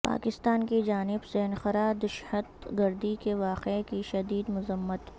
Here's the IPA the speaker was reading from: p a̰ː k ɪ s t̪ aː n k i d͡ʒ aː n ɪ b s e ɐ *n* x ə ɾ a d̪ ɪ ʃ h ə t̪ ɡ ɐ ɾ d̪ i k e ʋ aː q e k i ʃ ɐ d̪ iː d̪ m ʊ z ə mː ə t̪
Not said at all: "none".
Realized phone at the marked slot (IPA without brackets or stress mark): n